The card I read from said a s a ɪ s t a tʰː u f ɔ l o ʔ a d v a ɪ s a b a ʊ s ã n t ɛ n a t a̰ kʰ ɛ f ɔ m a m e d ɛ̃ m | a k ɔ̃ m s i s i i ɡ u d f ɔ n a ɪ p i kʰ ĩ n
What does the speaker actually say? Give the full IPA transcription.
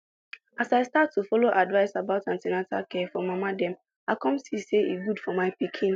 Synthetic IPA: a s a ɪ s t a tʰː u f ɔ l o ʔ a d v a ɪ s a b a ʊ t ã n t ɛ n a t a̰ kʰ ɛ f ɔ m a m a d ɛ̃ m | a k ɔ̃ m s i s e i ɡ u d f ɔ m a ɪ p i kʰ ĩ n